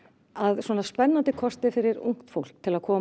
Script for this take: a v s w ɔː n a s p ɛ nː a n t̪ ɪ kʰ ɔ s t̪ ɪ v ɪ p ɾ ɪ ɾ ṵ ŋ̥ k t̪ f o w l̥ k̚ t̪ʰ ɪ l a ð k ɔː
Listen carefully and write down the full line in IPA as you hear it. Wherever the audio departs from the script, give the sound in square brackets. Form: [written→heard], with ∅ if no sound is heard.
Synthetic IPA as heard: a [v→ð] s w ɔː n a s p ɛ nː a n t̪ ɪ kʰ ɔ s t̪ ɪ [v→f] ɪ [p→∅] ɾ ɪ ɾ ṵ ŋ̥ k t̪ f o w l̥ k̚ t̪ʰ ɪ l a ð [k→kʰ] ɔː